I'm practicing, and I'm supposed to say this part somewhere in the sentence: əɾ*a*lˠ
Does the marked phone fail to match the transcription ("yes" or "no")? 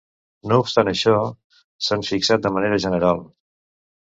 no